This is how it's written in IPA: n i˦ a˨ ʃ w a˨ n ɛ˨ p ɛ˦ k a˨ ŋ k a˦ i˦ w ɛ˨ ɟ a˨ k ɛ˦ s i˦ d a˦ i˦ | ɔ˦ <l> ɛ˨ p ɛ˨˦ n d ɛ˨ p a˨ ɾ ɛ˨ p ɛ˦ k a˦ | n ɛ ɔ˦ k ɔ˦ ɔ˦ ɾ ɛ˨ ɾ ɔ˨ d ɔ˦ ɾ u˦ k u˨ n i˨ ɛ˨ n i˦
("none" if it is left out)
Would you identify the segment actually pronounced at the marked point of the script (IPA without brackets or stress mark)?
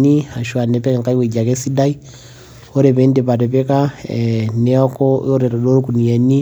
ɾ